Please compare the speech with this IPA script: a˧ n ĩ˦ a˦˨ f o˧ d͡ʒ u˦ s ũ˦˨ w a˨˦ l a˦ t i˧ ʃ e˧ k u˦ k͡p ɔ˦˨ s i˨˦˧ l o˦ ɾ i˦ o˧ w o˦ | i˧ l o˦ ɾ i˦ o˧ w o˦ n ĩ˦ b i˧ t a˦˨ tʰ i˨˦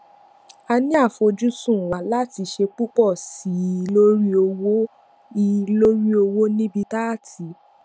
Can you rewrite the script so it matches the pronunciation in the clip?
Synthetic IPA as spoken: a˧ n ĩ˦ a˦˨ f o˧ d͡ʒ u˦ s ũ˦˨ w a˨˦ l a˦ t i˧ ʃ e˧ k͡p u˦ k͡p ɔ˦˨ s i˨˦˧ l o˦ ɾ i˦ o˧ w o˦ | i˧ l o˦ ɾ i˦ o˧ w o˦ n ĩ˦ b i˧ t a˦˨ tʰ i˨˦